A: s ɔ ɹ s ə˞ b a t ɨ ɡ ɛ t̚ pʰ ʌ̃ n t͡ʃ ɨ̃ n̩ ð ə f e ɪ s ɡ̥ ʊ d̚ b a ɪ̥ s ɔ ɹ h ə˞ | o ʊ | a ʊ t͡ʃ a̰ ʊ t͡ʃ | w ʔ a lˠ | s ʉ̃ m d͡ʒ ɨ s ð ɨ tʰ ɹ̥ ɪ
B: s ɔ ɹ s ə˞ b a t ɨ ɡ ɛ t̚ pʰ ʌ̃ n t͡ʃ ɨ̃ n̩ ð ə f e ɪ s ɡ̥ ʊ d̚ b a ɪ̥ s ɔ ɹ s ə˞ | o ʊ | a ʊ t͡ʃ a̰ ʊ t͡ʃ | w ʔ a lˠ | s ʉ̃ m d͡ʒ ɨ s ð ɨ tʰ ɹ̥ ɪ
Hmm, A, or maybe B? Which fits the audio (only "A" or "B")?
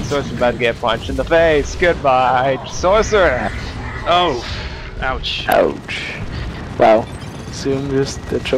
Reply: B